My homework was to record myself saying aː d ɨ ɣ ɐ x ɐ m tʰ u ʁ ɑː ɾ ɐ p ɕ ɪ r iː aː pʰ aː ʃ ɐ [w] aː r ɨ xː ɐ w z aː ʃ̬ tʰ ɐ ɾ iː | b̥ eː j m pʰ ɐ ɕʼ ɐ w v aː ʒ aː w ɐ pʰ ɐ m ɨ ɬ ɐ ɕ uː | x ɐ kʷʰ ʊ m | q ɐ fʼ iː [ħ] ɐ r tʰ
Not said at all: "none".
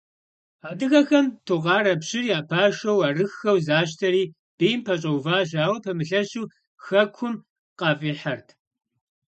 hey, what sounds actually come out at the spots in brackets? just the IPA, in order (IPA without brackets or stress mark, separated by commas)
w, ħ